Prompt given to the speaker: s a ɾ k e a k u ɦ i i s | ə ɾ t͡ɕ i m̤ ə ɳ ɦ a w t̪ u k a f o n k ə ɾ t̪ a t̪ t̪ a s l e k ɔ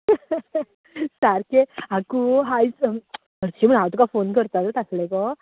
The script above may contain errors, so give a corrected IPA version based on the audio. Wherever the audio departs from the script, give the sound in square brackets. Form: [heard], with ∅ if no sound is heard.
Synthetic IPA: s a ɾ k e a k u ɦ [a] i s | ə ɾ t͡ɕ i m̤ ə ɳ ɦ a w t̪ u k a f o n k ə ɾ t̪ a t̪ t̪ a s l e k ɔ

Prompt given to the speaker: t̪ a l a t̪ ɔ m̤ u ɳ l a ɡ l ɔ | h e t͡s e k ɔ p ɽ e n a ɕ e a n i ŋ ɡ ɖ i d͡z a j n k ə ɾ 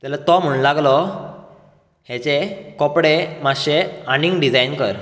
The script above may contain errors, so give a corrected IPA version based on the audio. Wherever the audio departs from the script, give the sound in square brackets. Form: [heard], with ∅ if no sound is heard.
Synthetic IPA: t̪ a l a t̪ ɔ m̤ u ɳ l a ɡ l ɔ | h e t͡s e k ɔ p ɽ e [m] a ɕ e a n i ŋ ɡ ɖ i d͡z a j n k ə ɾ

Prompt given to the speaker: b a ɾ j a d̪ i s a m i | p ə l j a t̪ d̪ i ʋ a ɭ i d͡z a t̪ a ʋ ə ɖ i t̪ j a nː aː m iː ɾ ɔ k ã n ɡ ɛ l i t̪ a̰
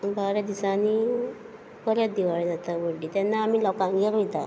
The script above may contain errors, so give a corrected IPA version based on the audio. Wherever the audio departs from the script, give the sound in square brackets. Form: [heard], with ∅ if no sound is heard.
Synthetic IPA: b a ɾ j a d̪ i s a [n] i | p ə [ɾ] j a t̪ d̪ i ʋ a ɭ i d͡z a t̪ a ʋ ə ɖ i t̪ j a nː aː m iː [l] ɔ k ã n ɡ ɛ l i t̪ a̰

